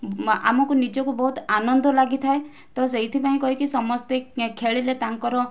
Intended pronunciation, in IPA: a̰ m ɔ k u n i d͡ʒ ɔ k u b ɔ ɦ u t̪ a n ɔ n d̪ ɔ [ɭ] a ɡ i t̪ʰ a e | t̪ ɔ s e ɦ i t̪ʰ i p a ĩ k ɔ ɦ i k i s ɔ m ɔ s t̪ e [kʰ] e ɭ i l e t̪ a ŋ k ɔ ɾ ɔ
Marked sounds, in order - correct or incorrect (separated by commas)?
incorrect, correct